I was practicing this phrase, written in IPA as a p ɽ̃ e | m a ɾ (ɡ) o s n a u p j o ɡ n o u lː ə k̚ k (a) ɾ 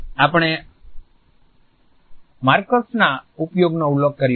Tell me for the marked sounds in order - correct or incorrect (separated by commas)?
incorrect, incorrect